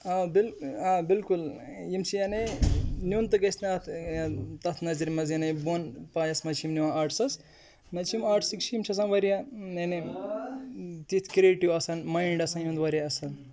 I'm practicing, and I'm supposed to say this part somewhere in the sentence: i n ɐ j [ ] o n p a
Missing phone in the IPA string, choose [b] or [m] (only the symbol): b